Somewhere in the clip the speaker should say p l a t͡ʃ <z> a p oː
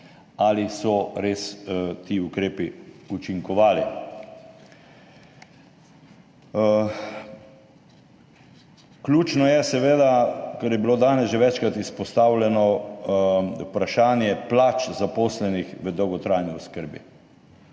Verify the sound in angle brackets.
correct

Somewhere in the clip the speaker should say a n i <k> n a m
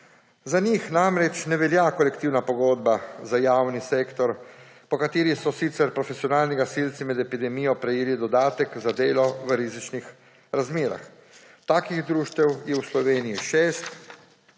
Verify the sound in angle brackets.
incorrect: x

